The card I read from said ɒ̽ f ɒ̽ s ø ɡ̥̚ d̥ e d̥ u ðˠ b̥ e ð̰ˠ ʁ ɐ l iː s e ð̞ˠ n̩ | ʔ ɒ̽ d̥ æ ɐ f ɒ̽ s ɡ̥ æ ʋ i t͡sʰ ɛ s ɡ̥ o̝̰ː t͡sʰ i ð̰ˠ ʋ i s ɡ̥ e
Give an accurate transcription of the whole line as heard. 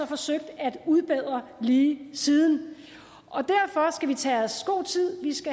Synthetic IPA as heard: ɒ̽ f ɒ̽ s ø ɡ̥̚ d̥ æ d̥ u ðˠ b̥ e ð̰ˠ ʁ ɐ l iː s i ð̞ˠ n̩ | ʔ ɒ̽ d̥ æ ɐ f ɒ̽ s ɡ̥ æ ʋ i t͡sʰ ɛ s ɡ̥ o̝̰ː t͡sʰ i ð̰ˠ ʋ i s ɡ̥ æ

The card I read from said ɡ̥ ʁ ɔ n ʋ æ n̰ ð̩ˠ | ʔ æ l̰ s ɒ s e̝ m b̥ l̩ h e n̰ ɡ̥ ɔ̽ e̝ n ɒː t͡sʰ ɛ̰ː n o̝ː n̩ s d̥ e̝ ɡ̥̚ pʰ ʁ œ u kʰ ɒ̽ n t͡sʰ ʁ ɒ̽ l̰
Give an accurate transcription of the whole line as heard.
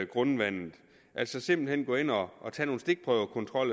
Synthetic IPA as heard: ɡ̥ ʁ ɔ n ʋ æ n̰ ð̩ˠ | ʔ æ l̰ s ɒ s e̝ m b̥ l̩ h e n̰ ɡ̥ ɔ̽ e̝ n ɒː t͡sʰ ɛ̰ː n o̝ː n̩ s d̥ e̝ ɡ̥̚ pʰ ʁ œ ʊ kʰ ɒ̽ n t͡sʰ ʁ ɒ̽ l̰

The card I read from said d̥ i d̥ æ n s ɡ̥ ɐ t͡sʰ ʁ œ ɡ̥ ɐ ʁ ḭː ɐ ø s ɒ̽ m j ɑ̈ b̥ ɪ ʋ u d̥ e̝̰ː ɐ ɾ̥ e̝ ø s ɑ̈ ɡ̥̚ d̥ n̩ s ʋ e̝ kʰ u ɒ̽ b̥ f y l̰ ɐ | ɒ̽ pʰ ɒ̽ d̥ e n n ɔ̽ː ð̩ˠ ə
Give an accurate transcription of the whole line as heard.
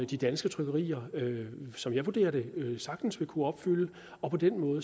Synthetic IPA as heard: d̥ i d̥ æ n s ɡ̥ ə t͡sʰ ʁ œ ɡ̥ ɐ ʁ ḭː ɐ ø s ɒ̽ m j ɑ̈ ɪ ʋ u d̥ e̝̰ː ɐ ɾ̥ e̝ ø s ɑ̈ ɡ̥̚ d̥ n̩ s ʋ e̝ kʰ u ɒ̽ b̥ f y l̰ ə | ɒ̽ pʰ ɒ̽ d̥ e n m ɔ̽ː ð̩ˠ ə

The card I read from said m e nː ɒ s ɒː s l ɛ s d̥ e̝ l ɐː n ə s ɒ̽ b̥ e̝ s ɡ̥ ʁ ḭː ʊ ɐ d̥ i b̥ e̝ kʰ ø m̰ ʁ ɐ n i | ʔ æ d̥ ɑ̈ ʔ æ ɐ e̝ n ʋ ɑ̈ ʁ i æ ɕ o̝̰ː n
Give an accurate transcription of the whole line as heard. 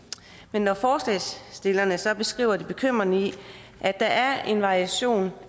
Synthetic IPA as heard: m e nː ɒ f ɒː s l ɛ s d̥ e̝ l ɐ n ə s ɒ̽ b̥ e̝ s ɡ̥ ʁ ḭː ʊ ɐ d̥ i b̥ e̝ kʰ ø m̰ ʁ ɐ n i | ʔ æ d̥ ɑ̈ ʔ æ ɐ e̝ n ʋ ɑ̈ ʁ i æ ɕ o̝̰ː n

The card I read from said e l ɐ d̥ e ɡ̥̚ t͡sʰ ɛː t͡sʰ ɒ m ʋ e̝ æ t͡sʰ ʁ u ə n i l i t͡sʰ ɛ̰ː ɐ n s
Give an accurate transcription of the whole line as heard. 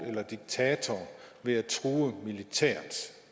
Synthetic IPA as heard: e l ɐ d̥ i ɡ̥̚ t͡sʰ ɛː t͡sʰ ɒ ʋ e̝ æ t͡sʰ ʁ uː ə m i l i t͡sʰ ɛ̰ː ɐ n s

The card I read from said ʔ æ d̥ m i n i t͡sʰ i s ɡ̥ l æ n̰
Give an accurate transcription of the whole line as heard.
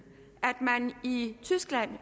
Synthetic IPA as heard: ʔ æ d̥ m æ n i t͡sʰ y s ɡ̥ l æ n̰

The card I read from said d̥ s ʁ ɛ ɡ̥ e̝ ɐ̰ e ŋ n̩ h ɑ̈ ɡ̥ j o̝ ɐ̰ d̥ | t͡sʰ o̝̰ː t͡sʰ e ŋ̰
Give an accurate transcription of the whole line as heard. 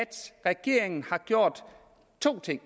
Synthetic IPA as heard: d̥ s ʁ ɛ ɡ̥ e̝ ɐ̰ e ŋ n̩ h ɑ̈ ɡ̥ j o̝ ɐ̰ d̥ | t͡sʰ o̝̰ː t͡sʰ e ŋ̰

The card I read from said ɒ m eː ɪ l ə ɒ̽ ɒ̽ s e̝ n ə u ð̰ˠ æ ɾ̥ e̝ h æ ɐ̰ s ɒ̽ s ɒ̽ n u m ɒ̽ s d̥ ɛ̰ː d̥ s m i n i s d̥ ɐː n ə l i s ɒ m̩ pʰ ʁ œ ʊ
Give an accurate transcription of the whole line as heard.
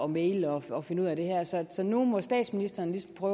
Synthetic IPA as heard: ɒ m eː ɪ l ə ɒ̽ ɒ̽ f e̝ n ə u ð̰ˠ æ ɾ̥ e̝ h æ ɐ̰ s ɒ̽ s ɒ̽ n u m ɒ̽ s d̥ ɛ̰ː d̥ s m i n i s d̥ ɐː n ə l i s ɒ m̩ pʰ ʁ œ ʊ

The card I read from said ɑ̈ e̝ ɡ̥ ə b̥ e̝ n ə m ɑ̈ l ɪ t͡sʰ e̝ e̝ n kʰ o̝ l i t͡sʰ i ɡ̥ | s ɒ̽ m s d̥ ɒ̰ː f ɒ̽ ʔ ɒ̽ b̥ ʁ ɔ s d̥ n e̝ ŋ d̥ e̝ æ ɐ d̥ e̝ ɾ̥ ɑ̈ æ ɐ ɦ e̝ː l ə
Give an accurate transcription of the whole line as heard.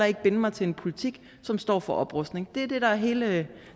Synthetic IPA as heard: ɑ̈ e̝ ɡ̥ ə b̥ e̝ n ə m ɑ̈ ɪ t͡sʰ e̝ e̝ n pʰ o̝ l i t͡sʰ i ɡ̥ | s ɒ̽ m s d̥ ɒ̰ː f ɒ̽ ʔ ɒ̽ b̥ ʁ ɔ s d̥ n e̝ ŋ d̥ e̝ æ ɐ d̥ e̝ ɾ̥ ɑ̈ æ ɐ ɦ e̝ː l ə

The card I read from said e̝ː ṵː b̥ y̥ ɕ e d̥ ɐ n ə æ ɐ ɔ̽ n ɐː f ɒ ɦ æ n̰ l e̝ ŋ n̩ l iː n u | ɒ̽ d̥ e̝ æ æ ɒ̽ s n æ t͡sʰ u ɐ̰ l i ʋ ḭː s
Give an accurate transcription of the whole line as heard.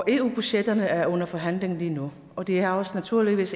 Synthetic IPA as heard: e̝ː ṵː b̥ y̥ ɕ e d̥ ɐ n ə æ ɐ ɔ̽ n ɐ f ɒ ɦ æ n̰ l e̝ ŋ n̩ l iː n u | ɒ̽ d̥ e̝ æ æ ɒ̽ s n æ t͡sʰ u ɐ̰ l i ʋ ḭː s

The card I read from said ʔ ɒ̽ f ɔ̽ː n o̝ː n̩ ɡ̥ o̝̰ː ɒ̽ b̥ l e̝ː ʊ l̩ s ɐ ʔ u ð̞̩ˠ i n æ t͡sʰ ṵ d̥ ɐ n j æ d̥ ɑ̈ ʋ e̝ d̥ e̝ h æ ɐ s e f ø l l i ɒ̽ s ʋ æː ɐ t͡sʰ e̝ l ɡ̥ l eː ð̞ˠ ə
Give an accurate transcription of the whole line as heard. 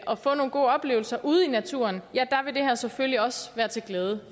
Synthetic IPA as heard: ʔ ɒ̽ f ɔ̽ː n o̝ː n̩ ɡ̥ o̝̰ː ɒ̽ b̥ l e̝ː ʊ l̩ s ɐ ʔ u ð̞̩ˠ i n æ t͡sʰ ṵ ɐ n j æ d̥ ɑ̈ ʋ e̝ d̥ e̝ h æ ɐ s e f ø l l i ɒ̽ s ʋ æː ɐ t͡sʰ e̝ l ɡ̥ l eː ð̞ˠ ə

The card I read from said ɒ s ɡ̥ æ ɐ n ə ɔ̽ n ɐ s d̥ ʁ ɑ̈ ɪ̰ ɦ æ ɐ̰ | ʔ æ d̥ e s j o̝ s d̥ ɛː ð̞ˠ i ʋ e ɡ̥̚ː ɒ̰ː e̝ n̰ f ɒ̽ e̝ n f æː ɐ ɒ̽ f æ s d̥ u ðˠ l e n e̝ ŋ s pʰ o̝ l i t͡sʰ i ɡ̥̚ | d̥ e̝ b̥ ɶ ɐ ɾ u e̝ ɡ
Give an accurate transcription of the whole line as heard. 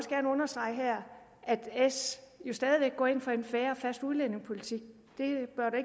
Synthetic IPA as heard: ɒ s ɡ̥ æ ɐ n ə ɔ̽ n ɐ s d̥ ʁ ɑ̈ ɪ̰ ɦ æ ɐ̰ | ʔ æ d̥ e s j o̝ s d̥ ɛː ð̞ˠ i ʋ e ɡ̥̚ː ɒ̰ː e̝ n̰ f ɒ̽ e̝ n f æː ɐ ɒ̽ f æ s d̥ u ðˠ l e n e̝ ŋ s pʰ o̝ l i t͡sʰ i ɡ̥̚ | d̥ e̝ b̥ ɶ ɐ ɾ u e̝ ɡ

